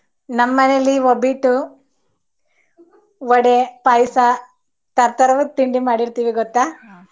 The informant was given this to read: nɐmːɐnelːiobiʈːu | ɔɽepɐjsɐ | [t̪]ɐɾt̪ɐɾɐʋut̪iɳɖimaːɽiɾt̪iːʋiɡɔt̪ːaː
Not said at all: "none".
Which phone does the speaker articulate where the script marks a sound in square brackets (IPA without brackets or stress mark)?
t̪